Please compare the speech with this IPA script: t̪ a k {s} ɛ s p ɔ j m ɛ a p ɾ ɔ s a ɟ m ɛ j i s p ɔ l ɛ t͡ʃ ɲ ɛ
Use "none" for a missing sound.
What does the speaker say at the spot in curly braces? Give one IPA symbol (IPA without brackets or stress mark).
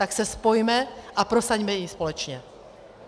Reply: s